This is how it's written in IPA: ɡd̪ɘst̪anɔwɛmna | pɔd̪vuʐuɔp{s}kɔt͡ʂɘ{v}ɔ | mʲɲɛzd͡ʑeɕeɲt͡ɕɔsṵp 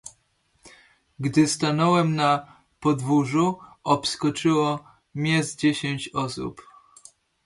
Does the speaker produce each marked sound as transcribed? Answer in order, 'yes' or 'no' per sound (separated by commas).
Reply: yes, no